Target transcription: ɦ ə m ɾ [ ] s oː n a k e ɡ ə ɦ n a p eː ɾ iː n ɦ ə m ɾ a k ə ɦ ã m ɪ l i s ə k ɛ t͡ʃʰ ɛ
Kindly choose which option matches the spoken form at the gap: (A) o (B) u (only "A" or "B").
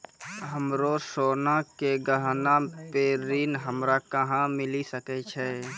A